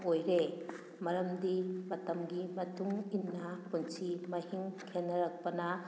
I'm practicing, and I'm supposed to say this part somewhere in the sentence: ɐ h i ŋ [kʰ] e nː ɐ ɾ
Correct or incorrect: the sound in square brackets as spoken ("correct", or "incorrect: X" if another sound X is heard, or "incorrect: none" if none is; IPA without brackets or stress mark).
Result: correct